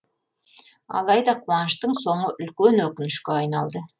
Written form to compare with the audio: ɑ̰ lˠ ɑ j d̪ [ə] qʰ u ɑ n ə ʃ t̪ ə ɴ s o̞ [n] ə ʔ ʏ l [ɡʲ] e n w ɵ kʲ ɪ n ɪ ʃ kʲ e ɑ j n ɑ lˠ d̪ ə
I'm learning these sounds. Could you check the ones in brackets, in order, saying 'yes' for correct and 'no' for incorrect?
no, no, no

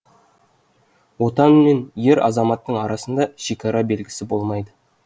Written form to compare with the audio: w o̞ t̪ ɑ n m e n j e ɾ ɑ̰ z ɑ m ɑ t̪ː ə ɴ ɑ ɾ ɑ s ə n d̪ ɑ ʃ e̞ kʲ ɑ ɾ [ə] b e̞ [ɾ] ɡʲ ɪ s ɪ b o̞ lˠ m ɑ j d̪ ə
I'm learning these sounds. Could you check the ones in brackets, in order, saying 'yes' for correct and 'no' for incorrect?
no, no

